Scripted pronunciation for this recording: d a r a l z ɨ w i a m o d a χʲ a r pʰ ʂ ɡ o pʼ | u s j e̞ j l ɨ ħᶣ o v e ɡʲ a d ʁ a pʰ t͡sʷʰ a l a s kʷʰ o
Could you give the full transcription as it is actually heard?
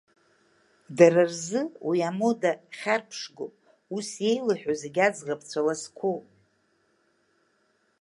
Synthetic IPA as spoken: d a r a r z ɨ w i a m o d a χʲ a r pʰ ʂ ɡ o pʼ | u s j e̞ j l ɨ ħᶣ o z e ɡʲ a d͡z ʁ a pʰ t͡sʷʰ a l a s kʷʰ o